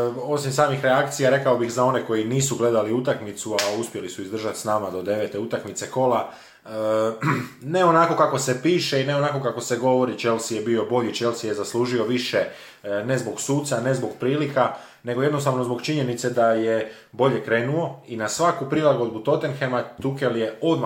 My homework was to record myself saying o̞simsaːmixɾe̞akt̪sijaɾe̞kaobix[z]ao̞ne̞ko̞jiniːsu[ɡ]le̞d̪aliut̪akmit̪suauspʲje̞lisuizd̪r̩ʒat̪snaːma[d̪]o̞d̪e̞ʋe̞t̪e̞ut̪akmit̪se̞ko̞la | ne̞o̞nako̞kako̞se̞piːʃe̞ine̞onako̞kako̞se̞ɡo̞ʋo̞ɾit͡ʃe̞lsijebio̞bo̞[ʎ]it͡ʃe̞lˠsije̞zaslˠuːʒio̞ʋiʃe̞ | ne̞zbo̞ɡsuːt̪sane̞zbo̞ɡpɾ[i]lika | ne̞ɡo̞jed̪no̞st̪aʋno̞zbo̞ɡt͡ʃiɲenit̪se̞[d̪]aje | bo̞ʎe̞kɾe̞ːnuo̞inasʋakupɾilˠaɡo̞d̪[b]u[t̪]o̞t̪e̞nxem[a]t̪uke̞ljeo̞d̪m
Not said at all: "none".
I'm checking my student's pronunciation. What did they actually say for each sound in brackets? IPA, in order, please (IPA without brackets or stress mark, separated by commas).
z, ɡ, d̪, ʎ, iː, d̪, b, t̪, a